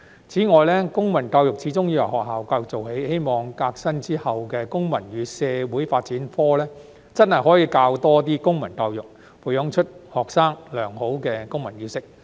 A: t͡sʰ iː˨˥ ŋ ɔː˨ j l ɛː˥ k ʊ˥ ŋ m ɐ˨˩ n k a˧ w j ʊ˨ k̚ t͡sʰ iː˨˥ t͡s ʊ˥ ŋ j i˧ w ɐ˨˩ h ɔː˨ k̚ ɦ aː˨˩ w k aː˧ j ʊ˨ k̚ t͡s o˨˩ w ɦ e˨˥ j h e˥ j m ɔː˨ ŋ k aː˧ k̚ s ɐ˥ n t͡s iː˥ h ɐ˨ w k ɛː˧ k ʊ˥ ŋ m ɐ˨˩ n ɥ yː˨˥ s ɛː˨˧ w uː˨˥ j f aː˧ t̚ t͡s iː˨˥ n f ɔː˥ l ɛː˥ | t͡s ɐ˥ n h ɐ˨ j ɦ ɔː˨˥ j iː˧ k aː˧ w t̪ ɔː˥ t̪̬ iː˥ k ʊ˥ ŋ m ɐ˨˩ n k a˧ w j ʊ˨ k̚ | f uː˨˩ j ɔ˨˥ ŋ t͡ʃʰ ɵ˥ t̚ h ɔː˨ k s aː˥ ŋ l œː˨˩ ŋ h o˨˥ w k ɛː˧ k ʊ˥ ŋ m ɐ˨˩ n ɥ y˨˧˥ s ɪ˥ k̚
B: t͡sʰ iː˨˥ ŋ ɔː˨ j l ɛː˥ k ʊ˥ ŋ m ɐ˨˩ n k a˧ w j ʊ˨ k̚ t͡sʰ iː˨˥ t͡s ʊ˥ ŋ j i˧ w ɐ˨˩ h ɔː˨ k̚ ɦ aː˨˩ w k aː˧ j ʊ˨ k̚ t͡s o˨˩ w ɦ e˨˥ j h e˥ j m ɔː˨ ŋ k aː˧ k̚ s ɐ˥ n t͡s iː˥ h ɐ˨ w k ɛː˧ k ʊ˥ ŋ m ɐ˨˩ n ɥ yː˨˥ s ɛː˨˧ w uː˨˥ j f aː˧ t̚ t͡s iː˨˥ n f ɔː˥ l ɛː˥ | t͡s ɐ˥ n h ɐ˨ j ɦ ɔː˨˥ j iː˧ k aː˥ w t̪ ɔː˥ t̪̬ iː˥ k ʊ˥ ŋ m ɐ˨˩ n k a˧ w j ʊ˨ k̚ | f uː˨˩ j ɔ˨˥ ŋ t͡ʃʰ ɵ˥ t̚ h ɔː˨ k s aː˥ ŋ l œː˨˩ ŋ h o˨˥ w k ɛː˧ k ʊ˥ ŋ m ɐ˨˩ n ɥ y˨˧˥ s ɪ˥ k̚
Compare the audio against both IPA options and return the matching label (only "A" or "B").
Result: A